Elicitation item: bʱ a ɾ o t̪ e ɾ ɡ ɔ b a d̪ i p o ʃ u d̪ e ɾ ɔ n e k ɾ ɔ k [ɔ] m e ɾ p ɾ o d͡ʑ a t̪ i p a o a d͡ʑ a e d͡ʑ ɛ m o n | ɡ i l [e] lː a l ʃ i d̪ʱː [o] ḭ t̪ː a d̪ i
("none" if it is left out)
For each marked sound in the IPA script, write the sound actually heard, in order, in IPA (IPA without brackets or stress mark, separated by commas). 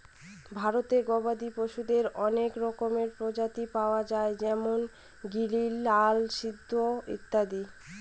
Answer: o, i, o